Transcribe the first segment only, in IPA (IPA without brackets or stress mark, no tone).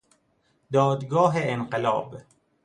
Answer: d̪